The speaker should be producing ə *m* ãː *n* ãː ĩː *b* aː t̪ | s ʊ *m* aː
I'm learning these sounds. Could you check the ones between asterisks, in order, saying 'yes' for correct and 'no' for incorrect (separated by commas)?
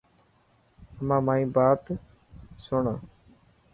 yes, no, yes, no